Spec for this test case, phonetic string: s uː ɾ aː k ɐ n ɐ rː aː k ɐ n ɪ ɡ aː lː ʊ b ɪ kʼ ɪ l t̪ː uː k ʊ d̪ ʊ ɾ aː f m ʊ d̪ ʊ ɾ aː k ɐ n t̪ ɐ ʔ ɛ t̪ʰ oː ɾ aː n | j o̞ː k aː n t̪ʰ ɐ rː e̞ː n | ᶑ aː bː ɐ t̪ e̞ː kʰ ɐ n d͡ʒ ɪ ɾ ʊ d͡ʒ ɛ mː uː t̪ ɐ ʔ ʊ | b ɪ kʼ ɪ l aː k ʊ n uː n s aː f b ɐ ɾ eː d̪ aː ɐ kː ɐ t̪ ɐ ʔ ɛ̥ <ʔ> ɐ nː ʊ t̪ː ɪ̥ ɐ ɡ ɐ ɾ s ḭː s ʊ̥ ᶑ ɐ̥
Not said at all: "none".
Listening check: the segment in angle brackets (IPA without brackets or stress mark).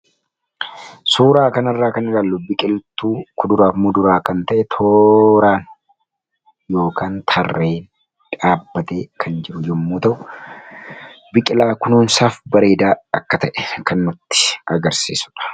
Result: k